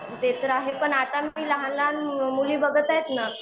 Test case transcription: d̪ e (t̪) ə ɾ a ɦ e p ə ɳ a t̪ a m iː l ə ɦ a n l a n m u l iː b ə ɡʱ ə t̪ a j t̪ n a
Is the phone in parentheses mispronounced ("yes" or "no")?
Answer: no